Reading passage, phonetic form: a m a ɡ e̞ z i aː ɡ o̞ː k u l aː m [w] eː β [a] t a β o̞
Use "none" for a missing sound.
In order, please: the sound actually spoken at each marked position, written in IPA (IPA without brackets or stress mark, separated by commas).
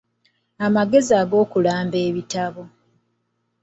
b, i